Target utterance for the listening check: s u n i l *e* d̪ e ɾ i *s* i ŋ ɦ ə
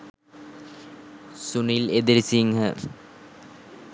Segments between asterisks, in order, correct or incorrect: correct, correct

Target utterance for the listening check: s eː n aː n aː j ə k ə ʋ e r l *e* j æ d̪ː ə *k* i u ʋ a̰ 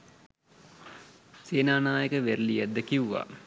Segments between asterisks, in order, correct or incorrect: incorrect, correct

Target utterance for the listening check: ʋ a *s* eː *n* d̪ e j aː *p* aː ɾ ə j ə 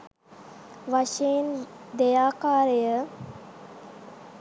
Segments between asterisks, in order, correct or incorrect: incorrect, correct, incorrect

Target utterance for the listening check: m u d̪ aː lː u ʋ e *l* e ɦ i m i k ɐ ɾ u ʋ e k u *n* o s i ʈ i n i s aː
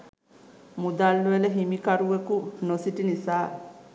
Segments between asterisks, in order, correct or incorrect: correct, correct

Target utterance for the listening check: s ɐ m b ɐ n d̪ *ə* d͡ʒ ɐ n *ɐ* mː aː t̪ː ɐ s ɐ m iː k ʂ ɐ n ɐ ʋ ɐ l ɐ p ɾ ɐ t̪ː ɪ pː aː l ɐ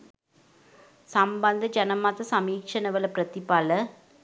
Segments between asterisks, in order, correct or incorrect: incorrect, correct

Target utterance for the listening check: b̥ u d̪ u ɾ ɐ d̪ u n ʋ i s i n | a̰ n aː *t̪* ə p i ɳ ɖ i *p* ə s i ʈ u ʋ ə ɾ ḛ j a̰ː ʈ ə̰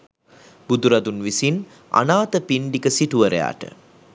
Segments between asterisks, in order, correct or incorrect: correct, incorrect

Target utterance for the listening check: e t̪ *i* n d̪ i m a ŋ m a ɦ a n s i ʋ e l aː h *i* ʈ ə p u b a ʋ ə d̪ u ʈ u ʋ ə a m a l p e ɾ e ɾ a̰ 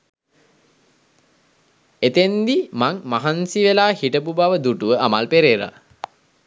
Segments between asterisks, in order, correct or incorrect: incorrect, correct

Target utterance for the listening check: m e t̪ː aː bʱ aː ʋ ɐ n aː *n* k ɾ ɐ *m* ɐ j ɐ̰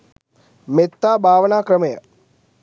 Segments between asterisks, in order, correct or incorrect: incorrect, correct

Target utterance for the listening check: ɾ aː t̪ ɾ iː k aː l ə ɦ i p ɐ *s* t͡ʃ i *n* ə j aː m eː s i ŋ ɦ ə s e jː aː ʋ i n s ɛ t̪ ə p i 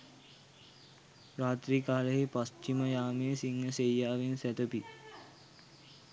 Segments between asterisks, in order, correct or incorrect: correct, incorrect

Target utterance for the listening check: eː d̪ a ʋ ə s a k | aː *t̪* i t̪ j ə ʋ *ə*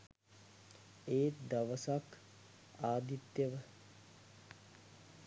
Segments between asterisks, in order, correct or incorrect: incorrect, correct

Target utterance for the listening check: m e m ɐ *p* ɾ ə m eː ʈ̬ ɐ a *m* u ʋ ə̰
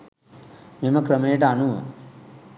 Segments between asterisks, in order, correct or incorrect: incorrect, incorrect

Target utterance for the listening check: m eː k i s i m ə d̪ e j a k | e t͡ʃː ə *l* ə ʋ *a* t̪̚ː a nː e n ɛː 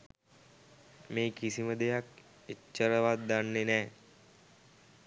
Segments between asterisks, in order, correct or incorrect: incorrect, correct

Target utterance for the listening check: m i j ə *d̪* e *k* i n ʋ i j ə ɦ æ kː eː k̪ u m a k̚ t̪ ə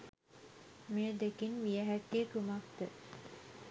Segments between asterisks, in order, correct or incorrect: correct, correct

